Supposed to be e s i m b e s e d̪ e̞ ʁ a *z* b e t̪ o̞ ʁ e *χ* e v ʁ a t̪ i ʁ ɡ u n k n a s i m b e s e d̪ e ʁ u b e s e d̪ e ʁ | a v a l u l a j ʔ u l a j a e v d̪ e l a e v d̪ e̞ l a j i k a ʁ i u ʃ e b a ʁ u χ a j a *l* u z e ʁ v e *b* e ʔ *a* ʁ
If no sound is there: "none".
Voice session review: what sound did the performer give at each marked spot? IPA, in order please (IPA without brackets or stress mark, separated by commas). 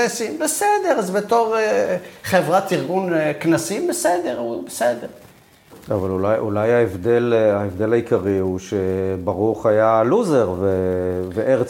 z, χ, l, v, e